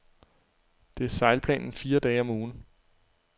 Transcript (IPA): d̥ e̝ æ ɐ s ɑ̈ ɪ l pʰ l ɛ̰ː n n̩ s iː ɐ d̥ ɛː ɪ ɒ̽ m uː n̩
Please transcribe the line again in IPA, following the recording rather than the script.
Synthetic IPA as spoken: d̥ e̝ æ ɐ s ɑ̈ ɪ l pʰ l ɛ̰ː n n̩ f iː ɐ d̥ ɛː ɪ ɒ̽ m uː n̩